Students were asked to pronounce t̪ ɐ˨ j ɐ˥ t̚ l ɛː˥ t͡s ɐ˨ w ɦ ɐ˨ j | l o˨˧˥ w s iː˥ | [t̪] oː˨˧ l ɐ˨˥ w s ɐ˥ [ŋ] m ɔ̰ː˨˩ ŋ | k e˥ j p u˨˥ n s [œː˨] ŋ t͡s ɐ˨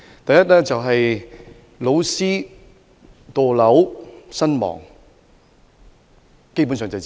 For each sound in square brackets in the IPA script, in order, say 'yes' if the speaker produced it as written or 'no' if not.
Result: yes, no, yes

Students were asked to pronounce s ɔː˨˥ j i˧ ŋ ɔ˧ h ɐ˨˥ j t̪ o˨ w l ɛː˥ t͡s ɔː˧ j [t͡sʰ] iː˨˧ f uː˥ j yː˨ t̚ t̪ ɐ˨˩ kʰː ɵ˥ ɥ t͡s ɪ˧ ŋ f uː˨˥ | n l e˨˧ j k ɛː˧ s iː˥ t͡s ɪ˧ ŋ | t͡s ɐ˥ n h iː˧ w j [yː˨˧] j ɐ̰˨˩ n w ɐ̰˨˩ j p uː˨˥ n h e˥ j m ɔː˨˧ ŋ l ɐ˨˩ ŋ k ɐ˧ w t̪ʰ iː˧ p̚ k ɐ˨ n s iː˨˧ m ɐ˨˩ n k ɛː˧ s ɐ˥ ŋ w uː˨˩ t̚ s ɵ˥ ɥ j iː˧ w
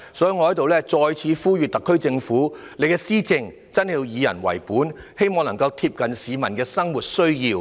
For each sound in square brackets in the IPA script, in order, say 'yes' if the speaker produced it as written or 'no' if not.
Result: yes, no

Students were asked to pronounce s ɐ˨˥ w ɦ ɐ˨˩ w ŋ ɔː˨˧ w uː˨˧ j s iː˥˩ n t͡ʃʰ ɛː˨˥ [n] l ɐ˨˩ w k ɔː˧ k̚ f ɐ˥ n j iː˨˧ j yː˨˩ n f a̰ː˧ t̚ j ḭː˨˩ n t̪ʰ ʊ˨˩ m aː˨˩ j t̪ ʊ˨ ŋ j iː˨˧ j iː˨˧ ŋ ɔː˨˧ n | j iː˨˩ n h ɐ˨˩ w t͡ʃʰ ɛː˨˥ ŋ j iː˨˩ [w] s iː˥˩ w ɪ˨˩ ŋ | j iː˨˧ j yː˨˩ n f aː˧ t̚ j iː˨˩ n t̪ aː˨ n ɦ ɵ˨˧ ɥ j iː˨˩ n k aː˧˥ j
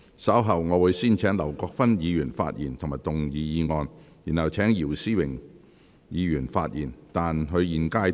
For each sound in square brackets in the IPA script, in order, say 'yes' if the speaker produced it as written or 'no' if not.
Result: no, yes

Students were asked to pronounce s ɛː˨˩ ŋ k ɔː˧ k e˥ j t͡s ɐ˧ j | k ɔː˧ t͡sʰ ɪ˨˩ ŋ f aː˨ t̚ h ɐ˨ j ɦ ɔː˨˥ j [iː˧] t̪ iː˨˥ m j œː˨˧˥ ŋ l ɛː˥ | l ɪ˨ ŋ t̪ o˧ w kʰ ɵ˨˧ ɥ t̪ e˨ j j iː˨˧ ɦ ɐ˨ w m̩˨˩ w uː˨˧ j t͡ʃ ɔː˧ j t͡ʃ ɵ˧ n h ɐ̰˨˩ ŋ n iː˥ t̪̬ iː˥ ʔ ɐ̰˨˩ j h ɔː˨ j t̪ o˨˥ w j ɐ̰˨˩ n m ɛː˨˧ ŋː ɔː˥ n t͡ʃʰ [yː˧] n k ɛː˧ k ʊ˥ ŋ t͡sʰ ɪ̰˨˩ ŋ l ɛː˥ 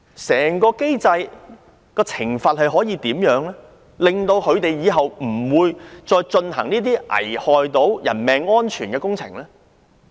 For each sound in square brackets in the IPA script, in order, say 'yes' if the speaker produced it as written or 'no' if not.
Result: yes, no

